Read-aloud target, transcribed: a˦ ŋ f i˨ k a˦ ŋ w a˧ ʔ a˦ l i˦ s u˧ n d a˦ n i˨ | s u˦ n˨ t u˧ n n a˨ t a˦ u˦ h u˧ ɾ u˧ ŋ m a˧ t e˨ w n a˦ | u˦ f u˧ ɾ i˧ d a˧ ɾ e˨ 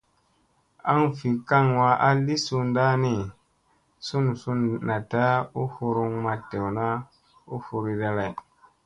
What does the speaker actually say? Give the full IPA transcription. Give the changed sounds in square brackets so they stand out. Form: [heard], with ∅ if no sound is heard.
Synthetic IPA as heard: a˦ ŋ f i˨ k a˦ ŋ w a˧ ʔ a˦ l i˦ s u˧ n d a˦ n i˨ | s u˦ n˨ [s] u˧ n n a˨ t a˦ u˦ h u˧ ɾ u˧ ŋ m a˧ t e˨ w n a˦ | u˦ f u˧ ɾ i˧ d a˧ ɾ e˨